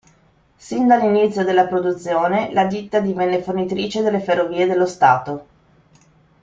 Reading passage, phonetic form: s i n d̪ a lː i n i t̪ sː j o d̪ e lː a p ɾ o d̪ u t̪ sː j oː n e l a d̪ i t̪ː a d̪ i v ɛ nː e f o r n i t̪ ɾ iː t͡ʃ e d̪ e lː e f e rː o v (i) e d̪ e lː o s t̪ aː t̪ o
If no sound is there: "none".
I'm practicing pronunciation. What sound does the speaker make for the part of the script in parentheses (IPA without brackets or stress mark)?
iː